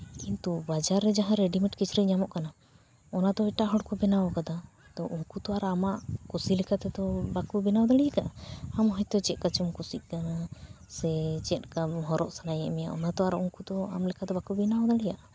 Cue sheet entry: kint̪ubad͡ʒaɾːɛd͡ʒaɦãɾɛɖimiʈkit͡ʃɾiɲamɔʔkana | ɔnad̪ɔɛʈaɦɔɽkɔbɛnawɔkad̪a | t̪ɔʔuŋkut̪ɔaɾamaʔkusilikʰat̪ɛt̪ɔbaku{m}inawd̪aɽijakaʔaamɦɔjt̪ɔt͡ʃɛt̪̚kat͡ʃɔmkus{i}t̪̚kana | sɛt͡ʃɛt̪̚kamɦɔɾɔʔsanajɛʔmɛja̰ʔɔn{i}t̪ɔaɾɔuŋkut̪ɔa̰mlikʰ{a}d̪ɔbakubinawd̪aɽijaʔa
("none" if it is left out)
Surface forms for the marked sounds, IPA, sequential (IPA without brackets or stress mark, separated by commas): b, i, a, a